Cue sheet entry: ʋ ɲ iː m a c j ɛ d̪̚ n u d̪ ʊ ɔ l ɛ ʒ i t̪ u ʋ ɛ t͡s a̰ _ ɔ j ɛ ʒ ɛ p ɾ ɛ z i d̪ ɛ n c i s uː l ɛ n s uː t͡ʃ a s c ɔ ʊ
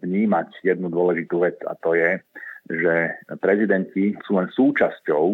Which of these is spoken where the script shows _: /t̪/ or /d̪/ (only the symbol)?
t̪